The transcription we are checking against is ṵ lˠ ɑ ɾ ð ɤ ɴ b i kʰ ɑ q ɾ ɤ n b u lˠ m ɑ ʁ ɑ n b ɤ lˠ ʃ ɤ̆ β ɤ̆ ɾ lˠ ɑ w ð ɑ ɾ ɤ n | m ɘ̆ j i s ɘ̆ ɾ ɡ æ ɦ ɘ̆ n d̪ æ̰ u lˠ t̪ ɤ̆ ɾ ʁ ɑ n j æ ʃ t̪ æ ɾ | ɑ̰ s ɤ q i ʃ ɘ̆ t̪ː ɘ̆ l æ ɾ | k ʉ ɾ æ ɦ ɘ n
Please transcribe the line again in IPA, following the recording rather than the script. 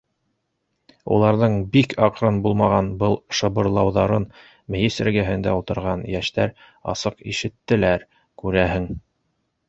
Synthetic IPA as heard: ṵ lˠ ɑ ɾ ð ɤ ɴ b i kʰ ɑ q ɾ ɤ n b u lˠ m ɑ ʁ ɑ n b ɤ lˠ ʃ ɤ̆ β ɤ̆ ɾ lˠ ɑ w ð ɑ ɾ ɤ n | m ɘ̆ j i s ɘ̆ ɾ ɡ æ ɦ ɘ̆ n d̪ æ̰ u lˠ t̪ ɤ̆ ɾ ʁ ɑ n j æ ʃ t̪ æ ɾ | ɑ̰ s ɤ q i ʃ ɘ̆ t̪ː ɘ̆ l æ ɾ | k ʉ ɾ æ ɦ ɘ ŋ

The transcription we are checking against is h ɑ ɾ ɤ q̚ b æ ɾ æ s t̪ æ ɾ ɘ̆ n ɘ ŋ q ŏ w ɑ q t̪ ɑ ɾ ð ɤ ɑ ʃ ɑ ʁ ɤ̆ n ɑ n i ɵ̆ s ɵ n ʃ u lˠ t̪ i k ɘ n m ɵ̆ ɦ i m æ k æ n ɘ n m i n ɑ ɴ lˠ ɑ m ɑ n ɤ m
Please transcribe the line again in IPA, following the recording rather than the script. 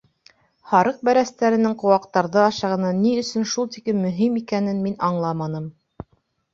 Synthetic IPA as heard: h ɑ ɾ ɤ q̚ b æ ɾ æ s t̪ æ ɾ ɘ̆ n ɘ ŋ q ŏ w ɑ q t̪ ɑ ɾ ð ɤ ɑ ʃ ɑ ʁ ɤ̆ n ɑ n i ɵ̆ s ɵ n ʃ u lˠ t̪ i k ɘ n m ɵ̆ ɦ i m i k æ n ɘ n m i n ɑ ɴ lˠ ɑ m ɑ n ɤ m

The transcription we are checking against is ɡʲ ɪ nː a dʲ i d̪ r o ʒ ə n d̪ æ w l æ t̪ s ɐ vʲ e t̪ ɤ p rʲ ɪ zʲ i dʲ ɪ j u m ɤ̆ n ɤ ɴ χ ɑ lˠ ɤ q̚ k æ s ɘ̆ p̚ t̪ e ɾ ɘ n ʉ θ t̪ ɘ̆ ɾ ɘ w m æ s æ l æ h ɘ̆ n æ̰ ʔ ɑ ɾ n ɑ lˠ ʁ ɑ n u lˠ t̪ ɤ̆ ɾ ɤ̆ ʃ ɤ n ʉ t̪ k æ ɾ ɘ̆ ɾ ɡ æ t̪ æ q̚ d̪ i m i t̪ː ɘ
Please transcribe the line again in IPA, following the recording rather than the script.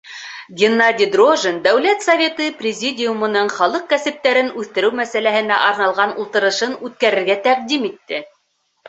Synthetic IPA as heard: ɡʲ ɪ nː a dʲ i d̪ r o ʒ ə n d̪ æ w l æ t̪ s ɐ vʲ e t̪ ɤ p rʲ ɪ zʲ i dʲ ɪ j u m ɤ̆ n ɤ ɴ χ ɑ lˠ ɤ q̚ k æ s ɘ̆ p̚ t̪ æ ɾ ɘ n ʉ θ t̪ ɘ̆ ɾ ɘ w m æ s æ l æ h ɘ̆ n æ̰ ʔ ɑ ɾ n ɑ lˠ ʁ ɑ n u lˠ t̪ ɤ̆ ɾ ɤ̆ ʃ ɤ n ʉ t̪ k æ ɾ ɘ̆ ɾ ɡ æ t̪ æ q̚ d̪ i m i t̪ː ɘ

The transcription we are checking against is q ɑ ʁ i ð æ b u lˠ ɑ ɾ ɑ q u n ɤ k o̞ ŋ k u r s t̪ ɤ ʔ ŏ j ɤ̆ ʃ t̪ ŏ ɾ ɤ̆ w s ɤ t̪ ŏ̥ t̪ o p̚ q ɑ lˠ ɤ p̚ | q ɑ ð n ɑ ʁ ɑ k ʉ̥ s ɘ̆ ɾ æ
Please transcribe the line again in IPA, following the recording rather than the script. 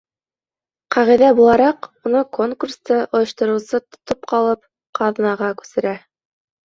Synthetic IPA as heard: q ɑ ʁ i ð æ b u lˠ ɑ ɾ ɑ q u n ɤ k o̞ ŋ k u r s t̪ ɤ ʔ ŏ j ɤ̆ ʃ t̪ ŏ ɾ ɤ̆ w s ɤ t̪ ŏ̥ t̪ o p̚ q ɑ lˠ ɤ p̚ | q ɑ ð n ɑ ʁ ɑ k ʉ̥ s ɘ̆ ɾ æ

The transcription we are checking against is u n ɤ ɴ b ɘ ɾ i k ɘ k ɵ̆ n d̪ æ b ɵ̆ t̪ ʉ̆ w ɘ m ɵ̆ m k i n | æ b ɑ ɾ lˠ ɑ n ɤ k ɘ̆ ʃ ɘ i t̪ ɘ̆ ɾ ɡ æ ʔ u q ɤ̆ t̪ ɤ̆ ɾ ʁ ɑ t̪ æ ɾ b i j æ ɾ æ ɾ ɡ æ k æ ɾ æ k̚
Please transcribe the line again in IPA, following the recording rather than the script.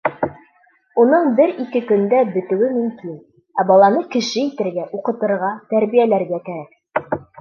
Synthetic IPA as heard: u n ɤ ɴ b ɘ ɾ i k ɘ k ɵ̆ n d̪ æ b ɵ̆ t̪ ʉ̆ w ɘ m ɵ̆ m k i n | æ b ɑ lˠ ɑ n ɤ k ɘ̆ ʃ ɘ i t̪ ɘ̆ ɾ ɡ æ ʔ u q ɤ̆ t̪ ɤ̆ ɾ ʁ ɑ t̪ æ ɾ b i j æ l æ ɾ ɡ æ k æ ɾ æ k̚

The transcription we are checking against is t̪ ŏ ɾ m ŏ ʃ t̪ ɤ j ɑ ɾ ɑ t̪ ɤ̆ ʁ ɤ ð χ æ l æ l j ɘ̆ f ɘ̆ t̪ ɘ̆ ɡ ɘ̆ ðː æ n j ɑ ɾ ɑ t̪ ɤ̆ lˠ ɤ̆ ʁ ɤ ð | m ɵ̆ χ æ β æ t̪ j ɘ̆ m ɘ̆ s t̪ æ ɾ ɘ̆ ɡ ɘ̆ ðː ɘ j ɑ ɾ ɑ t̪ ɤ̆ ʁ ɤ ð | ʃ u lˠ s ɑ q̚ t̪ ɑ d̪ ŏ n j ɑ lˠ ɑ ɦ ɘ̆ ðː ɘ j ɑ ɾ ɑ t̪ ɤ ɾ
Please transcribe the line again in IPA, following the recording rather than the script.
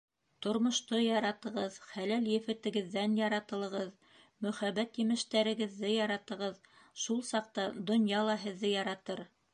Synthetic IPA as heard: t̪ ŏ ɾ m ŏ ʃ t̪ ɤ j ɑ ɾ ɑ t̪ ɤ̆ ʁ ɤ ð χ æ l æ l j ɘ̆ f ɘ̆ t̪ ɘ̆ ɡ ɘ̆ ðː æ n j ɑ ɾ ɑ t̪ ɤ̆ lˠ ɤ̆ ʁ ɤ ð | m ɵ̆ χ æ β æ t̪ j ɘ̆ m ɘ̆ ʃ t̪ æ ɾ ɘ̆ ɡ ɘ̆ ðː ɘ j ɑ ɾ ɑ t̪ ɤ̆ ʁ ɤ ð | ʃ u lˠ s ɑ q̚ t̪ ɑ d̪ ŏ n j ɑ lˠ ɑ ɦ ɘ̆ ðː ɘ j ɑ ɾ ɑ t̪ ɤ ɾ

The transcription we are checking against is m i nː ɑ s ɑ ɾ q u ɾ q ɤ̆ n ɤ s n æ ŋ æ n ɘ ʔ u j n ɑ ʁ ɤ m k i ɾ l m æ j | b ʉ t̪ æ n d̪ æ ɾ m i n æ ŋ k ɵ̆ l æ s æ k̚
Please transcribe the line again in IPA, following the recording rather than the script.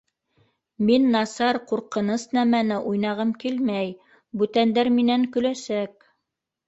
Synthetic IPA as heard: m i nː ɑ s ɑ ɾ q u ɾ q ɤ̆ n ɤ s n æ m æ n ɘ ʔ u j n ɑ ʁ ɤ m k i l m æ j | b ʉ t̪ æ n d̪ æ ɾ m i n æ ŋ k ɵ̆ l æ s æ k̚

